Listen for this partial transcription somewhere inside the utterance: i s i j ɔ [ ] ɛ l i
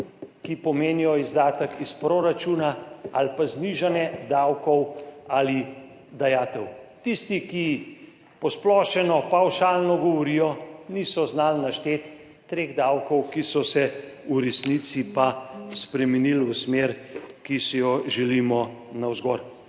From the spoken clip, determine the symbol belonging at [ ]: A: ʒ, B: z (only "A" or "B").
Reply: A